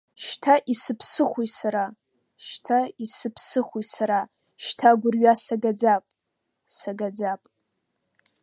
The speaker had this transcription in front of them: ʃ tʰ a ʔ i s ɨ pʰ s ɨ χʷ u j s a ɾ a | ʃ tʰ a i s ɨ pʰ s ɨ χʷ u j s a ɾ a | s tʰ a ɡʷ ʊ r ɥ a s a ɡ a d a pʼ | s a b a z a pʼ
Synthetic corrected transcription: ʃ tʰ a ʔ i s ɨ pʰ s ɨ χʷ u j s a ɾ a | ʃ tʰ a i s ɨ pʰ s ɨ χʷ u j s a ɾ a | ʃ tʰ a ɡʷ ʊ r ɥ a s a ɡ a d͡z a pʼ | s a ɡ a d͡z a pʼ